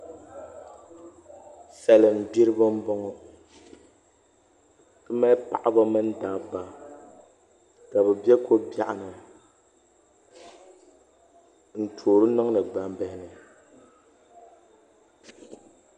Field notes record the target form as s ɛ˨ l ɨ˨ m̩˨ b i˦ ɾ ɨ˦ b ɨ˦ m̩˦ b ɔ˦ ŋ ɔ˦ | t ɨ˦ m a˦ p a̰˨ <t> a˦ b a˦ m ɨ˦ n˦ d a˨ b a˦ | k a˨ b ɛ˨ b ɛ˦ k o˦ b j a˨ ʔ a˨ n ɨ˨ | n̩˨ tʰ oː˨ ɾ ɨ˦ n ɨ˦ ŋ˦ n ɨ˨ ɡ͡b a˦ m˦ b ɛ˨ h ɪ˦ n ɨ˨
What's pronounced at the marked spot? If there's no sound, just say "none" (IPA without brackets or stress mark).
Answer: ʔ